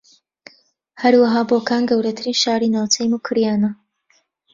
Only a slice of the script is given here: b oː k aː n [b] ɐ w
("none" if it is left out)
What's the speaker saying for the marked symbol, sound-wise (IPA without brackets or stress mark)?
ɡ